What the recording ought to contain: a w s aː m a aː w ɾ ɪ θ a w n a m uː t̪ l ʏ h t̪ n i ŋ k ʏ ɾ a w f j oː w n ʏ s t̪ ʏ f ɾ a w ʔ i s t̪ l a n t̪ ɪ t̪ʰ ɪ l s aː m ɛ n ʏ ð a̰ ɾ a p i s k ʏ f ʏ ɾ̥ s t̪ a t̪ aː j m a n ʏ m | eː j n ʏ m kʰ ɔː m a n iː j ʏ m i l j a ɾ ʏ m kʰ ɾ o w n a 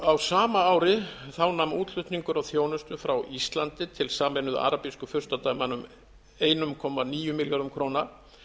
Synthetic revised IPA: a w s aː m a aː w ɾ ɪ θ a w n a m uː t̪ l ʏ h t̪ n i ŋ k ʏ ɾ a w θ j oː w n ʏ s t̪ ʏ f ɾ a w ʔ i s t̪ l a n t̪ ɪ t̪ʰ ɪ l s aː m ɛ n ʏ ð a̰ ɾ a p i s k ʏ f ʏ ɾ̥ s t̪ a t̪ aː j m a n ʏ m | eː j n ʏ m kʰ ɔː m a n iː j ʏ m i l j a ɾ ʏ m kʰ ɾ o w n a